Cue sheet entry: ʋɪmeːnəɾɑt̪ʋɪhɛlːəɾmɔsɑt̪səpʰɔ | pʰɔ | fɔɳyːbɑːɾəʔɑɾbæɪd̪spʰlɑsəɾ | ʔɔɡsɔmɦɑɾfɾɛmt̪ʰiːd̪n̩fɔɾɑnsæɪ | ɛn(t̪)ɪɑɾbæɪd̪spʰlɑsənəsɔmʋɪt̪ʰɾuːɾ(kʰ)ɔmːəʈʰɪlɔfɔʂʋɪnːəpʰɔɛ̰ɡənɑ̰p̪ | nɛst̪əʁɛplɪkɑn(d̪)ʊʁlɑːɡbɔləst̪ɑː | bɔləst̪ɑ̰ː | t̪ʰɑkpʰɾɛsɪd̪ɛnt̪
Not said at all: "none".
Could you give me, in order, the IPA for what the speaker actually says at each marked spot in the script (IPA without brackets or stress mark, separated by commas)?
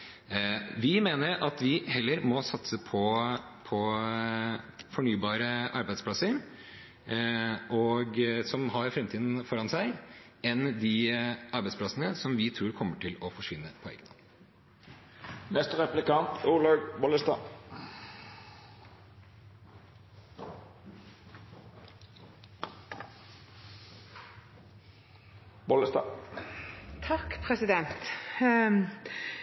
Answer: d̪, kʰ, t̪